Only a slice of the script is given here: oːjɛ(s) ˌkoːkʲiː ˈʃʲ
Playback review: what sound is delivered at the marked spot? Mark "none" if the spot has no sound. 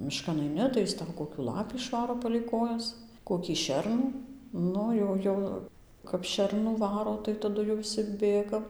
s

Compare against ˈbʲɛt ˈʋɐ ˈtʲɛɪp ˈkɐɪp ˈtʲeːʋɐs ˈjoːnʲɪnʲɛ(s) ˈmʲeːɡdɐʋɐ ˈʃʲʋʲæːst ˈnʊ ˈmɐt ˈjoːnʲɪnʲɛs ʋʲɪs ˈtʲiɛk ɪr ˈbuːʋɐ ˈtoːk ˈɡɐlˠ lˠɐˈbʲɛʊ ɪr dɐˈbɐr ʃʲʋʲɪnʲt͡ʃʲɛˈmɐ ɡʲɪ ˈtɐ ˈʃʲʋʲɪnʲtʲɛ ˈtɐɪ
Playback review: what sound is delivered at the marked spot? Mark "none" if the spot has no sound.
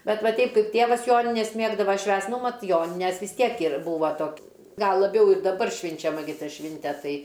s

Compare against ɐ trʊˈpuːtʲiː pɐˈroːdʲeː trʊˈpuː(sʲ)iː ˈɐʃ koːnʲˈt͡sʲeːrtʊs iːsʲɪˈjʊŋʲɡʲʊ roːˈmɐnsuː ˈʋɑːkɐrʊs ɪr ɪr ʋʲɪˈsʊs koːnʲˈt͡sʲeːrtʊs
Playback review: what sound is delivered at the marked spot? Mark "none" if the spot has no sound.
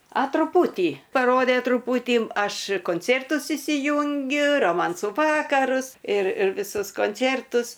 tʲ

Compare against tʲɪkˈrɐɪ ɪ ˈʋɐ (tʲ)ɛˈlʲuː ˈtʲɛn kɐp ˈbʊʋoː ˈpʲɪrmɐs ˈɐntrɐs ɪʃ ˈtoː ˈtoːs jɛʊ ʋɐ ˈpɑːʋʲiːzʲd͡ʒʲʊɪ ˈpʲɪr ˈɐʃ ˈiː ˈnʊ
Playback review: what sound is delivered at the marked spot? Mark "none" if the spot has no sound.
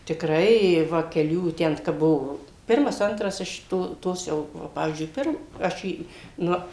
kʲ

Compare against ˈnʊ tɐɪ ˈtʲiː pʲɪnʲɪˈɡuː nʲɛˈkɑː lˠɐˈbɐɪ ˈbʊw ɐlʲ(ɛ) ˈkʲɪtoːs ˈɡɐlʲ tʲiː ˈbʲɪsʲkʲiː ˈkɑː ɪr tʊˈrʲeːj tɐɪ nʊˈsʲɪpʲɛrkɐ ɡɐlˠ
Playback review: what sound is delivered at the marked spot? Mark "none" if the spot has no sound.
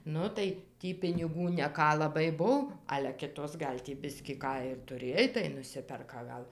ɛ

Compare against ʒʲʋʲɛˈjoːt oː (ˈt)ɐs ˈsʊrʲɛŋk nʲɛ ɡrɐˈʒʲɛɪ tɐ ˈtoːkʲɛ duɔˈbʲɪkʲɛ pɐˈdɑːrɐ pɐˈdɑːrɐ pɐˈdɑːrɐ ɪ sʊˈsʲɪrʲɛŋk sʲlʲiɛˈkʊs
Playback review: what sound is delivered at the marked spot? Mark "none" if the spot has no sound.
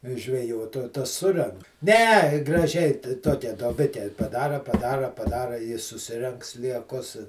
t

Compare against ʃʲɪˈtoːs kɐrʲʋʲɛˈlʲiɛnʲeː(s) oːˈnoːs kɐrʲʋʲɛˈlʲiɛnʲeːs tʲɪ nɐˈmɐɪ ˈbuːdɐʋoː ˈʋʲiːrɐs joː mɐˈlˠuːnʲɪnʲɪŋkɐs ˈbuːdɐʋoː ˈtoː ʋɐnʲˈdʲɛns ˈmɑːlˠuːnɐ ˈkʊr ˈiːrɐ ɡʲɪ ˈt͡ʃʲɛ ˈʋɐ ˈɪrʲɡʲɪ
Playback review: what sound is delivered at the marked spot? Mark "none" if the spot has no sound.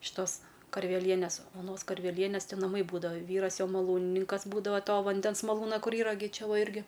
s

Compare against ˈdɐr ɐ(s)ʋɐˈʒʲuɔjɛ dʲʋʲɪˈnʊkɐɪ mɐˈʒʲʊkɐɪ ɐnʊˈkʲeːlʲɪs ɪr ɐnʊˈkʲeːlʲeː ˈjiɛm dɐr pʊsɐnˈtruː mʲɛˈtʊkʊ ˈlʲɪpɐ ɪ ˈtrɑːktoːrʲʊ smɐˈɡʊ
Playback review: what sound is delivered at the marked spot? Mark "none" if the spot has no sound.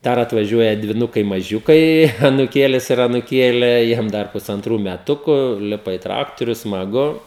t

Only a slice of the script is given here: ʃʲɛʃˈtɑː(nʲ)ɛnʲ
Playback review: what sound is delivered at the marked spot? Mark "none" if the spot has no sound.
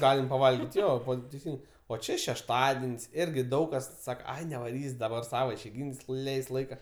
dʲ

